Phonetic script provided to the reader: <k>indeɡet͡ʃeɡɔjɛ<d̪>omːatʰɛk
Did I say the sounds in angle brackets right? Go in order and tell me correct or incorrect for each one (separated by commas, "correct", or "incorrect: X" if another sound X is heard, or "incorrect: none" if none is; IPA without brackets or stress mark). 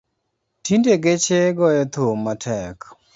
incorrect: t, incorrect: t̪